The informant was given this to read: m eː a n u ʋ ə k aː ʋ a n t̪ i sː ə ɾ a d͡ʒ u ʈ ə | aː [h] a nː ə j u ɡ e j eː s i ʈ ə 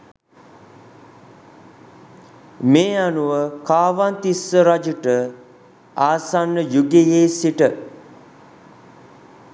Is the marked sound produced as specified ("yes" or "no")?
no